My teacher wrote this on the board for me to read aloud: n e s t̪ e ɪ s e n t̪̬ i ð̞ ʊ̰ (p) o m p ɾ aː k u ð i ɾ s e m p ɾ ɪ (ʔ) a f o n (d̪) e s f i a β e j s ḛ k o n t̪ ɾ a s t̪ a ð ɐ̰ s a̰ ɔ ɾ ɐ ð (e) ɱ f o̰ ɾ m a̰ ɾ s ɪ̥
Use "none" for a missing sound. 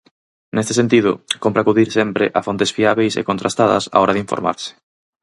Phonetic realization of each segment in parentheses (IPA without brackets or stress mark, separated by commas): k, ʔ, t̪, i